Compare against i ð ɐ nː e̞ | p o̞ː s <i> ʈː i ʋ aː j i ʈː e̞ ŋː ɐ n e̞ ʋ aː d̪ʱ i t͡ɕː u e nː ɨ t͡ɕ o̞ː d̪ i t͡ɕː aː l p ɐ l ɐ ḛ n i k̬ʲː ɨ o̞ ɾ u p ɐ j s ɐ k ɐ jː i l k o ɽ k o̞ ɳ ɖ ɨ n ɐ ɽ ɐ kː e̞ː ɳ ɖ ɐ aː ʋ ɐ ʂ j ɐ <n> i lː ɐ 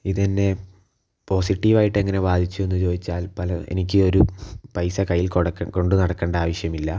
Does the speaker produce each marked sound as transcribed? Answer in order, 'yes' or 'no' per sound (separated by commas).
yes, no